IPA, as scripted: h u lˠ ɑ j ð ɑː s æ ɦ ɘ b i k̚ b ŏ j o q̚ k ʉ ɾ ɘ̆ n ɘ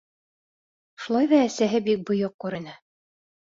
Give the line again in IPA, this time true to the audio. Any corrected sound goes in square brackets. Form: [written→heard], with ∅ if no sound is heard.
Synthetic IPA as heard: [h→ʃ] u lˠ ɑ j ð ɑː s æ ɦ ɘ b i k̚ b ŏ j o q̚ k ʉ ɾ ɘ̆ n ɘ